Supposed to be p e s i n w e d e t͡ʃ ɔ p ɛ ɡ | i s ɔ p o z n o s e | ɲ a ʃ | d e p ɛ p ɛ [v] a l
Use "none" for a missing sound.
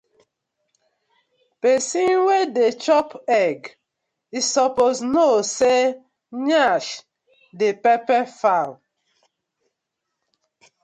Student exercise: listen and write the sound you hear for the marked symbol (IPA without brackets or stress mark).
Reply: f